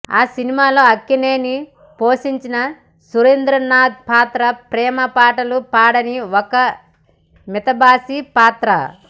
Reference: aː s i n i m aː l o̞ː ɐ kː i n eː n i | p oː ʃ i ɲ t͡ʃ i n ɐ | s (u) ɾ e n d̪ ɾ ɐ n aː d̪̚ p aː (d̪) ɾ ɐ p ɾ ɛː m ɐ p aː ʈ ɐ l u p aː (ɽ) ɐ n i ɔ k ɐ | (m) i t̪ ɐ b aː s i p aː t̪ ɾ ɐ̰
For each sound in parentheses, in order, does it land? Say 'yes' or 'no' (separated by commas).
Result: yes, no, yes, yes